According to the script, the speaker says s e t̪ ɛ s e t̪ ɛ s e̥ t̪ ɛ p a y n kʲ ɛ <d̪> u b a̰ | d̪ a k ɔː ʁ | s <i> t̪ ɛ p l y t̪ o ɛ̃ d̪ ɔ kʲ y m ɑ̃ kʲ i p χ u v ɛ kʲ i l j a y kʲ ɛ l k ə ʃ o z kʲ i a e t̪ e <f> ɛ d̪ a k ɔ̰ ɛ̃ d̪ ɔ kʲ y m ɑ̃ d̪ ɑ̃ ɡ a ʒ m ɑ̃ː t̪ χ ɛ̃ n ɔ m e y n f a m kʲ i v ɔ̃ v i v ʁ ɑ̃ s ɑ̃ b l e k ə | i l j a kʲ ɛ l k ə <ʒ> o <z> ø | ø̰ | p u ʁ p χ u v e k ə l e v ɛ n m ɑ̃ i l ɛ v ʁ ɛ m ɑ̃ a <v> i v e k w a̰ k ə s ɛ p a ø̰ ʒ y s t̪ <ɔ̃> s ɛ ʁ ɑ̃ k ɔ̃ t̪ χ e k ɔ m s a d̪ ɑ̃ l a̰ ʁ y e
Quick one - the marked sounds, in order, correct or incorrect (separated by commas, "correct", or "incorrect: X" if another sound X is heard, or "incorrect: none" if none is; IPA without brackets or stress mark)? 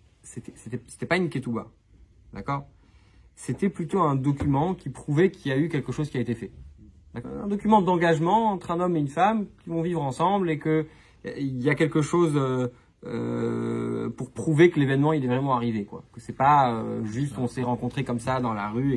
incorrect: t̪, incorrect: e, correct, incorrect: ʃ, correct, incorrect: ʁ, correct